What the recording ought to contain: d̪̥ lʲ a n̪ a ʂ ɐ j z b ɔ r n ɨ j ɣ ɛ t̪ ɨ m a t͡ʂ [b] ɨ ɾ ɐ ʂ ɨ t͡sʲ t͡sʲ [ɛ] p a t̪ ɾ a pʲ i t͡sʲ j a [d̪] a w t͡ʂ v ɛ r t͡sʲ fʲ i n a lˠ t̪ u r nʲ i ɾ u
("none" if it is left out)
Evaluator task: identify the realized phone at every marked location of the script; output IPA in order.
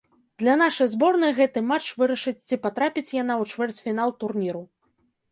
v, i, n̪

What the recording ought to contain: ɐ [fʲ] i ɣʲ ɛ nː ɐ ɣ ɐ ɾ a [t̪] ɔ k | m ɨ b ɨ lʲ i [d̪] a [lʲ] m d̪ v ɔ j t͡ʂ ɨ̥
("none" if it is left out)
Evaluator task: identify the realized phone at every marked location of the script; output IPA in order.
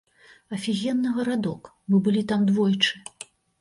fʲ, d̪, t̪, none

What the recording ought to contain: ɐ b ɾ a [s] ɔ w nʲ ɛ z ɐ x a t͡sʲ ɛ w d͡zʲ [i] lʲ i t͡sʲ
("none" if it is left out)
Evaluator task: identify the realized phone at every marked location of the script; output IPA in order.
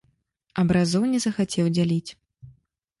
z, a

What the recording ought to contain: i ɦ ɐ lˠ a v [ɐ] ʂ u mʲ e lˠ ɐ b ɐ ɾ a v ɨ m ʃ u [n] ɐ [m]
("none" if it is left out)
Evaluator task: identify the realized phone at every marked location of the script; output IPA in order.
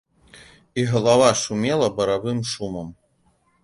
a, m, m

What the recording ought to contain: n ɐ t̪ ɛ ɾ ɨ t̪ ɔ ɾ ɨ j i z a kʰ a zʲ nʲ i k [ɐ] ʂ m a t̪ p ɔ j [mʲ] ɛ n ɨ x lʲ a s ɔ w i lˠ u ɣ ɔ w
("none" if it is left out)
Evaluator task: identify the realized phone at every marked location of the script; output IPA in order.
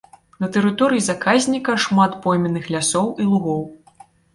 ɐ, mʲ

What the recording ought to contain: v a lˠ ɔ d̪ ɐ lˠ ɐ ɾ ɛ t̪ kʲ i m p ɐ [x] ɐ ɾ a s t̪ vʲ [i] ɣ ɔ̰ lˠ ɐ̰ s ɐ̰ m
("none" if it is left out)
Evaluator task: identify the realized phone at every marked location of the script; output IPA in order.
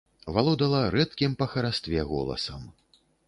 x, ɛ

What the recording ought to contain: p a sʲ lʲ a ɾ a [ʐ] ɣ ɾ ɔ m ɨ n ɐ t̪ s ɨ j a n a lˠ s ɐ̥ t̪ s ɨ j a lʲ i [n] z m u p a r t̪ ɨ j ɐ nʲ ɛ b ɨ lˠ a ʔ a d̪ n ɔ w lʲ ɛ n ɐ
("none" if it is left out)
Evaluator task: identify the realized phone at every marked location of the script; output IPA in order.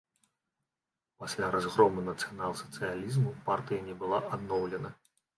z, none

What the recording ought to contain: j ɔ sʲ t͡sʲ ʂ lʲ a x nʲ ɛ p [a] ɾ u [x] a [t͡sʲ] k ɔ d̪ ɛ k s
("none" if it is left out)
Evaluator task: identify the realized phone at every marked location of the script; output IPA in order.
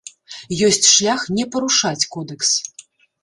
ɐ, ʂ, t͡sʲ

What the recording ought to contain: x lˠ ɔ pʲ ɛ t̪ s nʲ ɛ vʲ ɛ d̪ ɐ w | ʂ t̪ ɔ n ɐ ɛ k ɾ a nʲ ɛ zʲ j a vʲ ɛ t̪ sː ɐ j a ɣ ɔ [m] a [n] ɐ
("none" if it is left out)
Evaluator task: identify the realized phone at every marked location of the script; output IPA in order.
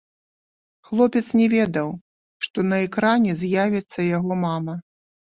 m, m

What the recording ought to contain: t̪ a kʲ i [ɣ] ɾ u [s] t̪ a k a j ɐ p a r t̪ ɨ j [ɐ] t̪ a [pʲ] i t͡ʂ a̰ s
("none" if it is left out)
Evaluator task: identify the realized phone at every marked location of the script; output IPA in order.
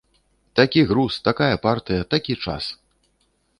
ɣ, s, ɐ, kʲ

